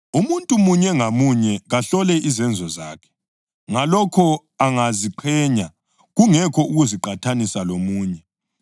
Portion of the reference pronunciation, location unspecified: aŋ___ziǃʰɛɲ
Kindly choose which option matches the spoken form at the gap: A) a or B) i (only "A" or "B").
A